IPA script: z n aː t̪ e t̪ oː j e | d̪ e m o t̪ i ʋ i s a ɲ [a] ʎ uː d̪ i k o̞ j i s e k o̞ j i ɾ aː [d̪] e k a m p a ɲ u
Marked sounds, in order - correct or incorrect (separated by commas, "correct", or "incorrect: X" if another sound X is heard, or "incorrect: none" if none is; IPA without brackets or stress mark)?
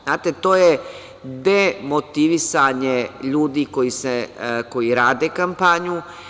incorrect: e, correct